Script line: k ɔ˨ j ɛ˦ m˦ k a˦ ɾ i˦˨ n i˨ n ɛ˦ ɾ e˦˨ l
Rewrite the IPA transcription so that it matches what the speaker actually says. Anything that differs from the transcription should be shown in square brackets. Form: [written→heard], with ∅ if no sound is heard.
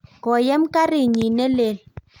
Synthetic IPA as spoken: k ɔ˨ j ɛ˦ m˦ k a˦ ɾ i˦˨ [n→ɲ] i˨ n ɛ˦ [ɾ→l] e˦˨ l